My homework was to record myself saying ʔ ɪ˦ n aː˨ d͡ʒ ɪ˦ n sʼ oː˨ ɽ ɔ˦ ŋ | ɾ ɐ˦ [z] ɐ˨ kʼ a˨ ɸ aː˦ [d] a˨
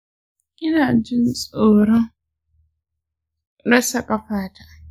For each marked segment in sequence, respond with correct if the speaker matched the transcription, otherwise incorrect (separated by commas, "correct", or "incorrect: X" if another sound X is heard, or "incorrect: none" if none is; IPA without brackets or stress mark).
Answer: incorrect: s, incorrect: t